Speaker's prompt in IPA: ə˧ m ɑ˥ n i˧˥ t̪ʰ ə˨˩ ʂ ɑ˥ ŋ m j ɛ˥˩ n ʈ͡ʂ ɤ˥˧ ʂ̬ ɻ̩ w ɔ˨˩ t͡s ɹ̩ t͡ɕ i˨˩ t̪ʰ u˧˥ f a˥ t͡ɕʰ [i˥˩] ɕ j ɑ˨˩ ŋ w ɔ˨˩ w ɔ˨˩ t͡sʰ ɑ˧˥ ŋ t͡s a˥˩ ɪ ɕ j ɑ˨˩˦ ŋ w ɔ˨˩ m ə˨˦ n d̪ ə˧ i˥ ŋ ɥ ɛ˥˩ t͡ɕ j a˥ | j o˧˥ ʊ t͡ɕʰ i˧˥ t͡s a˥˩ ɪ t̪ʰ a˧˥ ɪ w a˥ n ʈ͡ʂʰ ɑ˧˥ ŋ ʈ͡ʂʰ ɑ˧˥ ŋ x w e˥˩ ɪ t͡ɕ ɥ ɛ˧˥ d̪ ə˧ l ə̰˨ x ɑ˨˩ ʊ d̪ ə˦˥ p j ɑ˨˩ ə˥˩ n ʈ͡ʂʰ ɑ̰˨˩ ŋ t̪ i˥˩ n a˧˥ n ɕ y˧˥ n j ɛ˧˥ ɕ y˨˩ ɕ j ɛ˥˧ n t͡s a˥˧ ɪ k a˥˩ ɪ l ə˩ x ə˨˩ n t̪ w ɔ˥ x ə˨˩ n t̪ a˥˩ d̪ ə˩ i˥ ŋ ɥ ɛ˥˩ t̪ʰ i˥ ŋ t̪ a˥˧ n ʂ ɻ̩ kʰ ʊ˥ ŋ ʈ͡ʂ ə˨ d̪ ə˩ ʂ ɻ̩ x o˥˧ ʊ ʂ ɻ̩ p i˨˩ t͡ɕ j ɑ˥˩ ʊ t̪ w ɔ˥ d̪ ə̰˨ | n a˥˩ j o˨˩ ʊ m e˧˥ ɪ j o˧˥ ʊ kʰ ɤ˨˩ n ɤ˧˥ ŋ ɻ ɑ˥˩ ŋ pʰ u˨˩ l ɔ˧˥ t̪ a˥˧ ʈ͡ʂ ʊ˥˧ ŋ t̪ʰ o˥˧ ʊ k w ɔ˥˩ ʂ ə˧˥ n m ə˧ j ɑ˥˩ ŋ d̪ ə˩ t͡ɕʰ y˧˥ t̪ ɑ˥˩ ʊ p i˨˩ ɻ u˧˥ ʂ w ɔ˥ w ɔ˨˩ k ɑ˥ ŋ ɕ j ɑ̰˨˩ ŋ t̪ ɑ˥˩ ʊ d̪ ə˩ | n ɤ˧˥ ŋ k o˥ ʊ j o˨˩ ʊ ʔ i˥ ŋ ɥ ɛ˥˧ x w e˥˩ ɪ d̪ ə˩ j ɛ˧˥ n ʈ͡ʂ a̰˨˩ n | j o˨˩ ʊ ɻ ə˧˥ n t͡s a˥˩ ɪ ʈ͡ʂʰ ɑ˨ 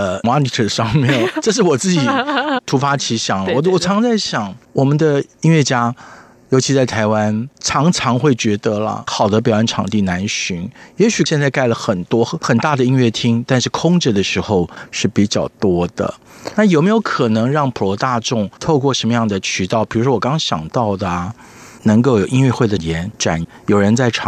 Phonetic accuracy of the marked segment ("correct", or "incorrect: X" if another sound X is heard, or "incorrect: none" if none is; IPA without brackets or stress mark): incorrect: i˧˥